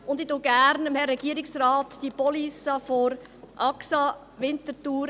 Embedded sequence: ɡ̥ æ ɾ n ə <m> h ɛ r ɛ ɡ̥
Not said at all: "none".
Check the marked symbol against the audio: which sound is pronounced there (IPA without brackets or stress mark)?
m